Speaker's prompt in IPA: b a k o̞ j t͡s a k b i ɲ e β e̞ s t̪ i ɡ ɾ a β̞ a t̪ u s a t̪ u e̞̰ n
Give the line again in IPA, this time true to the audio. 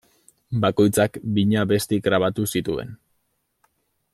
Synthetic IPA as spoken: b a k o̞ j t͡s a k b i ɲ a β e̞ s t̪ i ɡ ɾ a β̞ a t̪ u s i t̪ u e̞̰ n